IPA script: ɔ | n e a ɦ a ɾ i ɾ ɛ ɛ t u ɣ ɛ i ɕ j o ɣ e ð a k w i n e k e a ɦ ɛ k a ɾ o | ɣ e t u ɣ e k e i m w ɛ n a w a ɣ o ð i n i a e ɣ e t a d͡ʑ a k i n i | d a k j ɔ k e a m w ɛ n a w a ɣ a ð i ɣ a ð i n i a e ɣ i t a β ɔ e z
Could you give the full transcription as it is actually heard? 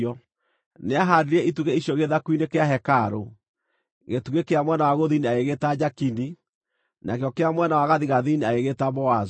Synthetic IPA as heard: ɔ | n e a ɦ a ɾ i ɾ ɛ i t u ɣ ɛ i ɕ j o ɣ e ð a k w i n e k e a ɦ ɛ k a ɾ o | ɣ e t u ɣ e k e a m w ɛ n a w a ɣ o ð i n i a e ɣ e t a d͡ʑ a k i n i | n a k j ɔ k e a m w ɛ n a w a ɣ a ð i ɣ a ð i n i a e ɣ e t a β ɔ a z